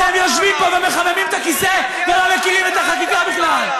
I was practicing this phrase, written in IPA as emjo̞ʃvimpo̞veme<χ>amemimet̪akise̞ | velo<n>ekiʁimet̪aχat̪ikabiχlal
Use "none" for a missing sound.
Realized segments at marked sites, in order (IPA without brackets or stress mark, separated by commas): χ, m